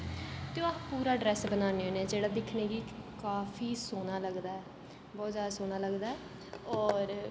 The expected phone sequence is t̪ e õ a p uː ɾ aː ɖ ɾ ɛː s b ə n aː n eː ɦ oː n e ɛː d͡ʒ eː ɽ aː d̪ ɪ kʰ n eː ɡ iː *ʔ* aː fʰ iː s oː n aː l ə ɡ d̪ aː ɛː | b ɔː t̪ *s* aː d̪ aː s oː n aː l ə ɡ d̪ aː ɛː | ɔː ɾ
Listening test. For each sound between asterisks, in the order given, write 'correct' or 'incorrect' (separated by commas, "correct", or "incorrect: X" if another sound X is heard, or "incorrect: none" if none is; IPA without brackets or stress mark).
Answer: incorrect: k, incorrect: z